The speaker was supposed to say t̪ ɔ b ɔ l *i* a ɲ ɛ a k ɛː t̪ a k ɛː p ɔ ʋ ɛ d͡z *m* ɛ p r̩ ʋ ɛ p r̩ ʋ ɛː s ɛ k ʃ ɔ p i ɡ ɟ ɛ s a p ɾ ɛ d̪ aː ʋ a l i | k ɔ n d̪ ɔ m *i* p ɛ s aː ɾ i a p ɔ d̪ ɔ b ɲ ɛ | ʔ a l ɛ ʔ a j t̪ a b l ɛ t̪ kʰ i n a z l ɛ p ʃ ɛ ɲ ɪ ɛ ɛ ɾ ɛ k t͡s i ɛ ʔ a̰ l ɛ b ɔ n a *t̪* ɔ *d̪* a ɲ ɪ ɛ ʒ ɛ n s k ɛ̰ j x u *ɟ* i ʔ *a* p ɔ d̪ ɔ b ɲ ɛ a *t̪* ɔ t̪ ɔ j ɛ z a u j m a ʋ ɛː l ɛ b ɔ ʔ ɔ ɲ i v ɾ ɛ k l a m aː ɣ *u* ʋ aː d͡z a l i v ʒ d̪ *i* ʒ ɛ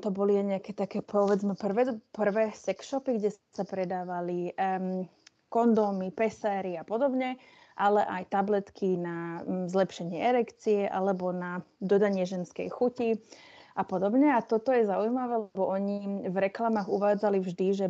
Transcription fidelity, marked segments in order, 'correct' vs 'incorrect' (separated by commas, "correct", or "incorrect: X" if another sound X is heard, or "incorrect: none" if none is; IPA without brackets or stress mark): correct, correct, correct, incorrect: d̪, correct, incorrect: c, correct, correct, correct, correct